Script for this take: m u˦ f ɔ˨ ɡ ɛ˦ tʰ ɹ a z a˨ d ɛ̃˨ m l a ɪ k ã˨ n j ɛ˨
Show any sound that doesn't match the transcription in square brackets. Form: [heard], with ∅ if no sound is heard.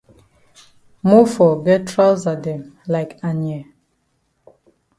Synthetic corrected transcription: m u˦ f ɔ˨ ɡ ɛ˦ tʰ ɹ a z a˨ d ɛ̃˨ m l a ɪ k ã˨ n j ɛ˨